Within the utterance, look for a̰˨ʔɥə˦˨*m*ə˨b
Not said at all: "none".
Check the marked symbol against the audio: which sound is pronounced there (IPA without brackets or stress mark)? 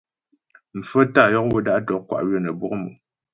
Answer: n